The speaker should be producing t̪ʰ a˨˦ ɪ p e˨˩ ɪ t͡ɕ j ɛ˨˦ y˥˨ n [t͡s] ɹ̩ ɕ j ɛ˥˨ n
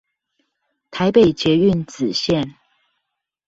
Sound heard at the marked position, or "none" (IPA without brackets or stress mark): t͡s